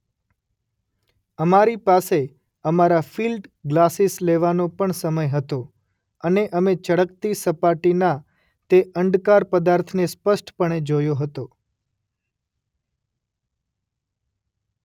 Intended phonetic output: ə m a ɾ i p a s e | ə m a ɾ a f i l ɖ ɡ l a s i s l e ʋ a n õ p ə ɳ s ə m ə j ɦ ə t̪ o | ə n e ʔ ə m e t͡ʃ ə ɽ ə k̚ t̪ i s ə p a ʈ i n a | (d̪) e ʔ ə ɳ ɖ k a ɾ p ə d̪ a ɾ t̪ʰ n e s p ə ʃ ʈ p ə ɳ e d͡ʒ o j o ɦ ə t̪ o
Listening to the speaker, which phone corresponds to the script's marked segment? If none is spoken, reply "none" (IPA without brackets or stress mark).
t̪